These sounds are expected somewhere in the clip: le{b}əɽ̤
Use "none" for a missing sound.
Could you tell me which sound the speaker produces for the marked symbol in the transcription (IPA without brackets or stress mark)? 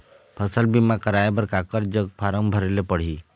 p